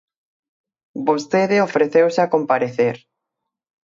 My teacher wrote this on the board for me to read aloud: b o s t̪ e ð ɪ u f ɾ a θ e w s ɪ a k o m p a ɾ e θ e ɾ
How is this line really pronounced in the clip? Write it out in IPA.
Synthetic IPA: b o s t̪ e ð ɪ o f ɾ e θ e w s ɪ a k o m p a ɾ e θ e ɾ